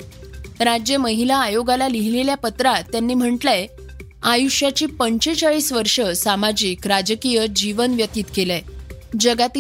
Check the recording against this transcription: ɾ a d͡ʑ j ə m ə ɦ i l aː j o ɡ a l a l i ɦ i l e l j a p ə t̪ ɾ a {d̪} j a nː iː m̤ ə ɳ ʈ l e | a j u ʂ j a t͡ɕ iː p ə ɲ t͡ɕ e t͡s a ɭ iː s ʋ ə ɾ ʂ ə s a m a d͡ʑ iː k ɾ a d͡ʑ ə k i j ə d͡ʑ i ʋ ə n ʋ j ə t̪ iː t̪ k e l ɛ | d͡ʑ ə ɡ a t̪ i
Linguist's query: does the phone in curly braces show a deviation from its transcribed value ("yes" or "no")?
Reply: yes